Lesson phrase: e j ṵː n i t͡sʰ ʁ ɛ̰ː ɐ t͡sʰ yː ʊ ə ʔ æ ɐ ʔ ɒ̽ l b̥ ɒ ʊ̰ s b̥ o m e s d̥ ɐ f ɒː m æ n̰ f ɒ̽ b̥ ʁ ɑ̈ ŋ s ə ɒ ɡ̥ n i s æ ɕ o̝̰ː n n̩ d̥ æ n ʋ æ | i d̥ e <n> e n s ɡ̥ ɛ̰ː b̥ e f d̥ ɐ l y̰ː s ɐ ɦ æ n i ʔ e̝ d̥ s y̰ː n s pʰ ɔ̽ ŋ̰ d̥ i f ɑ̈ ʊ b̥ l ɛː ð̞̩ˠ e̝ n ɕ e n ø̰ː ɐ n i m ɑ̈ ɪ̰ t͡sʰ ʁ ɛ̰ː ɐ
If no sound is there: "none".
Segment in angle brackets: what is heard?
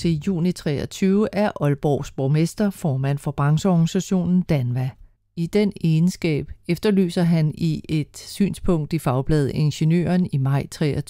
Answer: n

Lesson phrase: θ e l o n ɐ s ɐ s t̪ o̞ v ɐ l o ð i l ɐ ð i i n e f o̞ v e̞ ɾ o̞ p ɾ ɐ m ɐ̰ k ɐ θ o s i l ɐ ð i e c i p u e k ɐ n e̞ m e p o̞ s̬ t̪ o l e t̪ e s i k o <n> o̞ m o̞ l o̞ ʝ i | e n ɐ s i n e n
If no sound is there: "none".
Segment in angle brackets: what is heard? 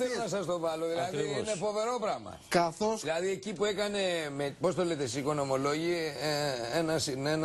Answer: n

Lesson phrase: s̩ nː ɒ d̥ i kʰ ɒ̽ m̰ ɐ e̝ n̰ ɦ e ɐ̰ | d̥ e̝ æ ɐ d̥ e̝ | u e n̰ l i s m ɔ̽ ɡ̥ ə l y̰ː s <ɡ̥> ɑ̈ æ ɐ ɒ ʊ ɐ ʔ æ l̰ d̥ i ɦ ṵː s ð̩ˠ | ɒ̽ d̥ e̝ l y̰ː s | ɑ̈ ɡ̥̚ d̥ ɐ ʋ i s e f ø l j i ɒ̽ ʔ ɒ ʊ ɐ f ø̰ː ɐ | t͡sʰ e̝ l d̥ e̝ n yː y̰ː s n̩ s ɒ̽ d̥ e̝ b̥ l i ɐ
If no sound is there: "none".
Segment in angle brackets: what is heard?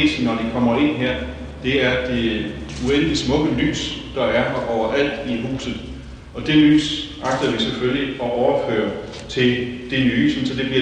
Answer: d̥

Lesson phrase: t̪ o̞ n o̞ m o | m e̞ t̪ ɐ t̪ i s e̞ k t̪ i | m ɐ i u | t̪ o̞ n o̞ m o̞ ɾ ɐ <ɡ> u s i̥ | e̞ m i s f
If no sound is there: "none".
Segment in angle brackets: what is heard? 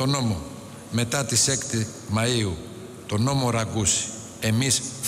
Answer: ɡ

